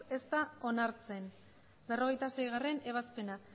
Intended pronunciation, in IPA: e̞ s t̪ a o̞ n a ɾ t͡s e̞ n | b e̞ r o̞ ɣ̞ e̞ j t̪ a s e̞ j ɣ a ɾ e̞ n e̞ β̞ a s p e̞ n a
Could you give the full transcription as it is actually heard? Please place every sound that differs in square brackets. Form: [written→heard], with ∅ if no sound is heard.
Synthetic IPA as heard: e̞ s t̪ a o̞ n a ɾ t͡s e̞ n | b e̞ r o̞ ɣ̞ e̞ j t̪ a s e̞ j ɣ a [ɾ→r] e̞ n e̞ β̞ a s p e̞ n a